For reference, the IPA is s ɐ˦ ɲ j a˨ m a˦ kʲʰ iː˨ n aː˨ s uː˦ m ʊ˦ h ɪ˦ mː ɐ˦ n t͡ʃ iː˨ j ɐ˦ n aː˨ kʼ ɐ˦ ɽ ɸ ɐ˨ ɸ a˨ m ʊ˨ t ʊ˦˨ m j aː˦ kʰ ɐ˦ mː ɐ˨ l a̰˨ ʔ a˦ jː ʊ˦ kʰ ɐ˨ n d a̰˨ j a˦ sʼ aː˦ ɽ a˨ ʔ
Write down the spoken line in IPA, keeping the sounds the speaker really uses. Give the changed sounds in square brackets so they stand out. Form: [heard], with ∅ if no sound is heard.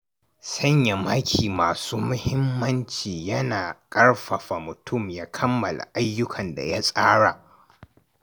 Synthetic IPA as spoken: s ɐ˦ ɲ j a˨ m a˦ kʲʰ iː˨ [m] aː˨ s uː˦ m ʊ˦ h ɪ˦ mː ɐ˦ n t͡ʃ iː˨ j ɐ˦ n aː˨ kʼ ɐ˦ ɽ ɸ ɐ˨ ɸ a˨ m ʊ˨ t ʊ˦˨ m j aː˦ kʰ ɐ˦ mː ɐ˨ l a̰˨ ʔ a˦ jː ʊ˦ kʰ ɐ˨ n d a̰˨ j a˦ sʼ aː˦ ɽ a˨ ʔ

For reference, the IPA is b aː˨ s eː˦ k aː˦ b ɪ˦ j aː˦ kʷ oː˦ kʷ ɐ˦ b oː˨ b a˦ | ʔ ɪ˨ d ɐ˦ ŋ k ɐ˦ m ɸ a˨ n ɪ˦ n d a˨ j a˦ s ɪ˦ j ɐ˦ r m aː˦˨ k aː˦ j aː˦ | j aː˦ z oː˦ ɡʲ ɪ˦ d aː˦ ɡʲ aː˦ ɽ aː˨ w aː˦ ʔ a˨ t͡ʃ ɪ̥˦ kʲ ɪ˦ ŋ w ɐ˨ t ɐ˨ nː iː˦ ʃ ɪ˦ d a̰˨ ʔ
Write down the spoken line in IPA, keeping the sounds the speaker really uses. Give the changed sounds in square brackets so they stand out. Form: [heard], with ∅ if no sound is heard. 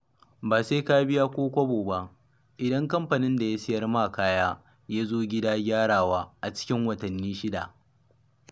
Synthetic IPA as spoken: b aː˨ s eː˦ k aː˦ b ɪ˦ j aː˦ kʷ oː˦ kʷ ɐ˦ b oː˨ b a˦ | ʔ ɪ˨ d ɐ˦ ŋ k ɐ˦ m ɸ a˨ n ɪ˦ n d a˨ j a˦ s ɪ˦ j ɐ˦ r m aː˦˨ k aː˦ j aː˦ | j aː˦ z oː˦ ɡʲ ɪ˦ d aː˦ ɡʲ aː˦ ɽ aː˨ w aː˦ ʔ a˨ t͡ʃ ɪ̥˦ kʲ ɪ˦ ŋ w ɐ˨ t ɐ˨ nː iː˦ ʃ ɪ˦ d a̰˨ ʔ

